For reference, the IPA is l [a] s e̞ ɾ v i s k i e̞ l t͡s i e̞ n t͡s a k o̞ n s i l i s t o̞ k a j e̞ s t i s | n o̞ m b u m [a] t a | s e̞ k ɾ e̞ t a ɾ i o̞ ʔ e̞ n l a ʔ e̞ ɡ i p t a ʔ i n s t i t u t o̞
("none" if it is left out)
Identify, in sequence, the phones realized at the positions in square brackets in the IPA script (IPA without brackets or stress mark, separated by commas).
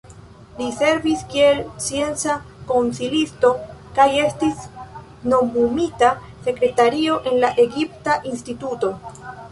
i, i